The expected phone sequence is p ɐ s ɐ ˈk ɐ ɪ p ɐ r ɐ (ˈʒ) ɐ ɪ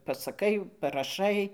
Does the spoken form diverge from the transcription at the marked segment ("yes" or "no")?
yes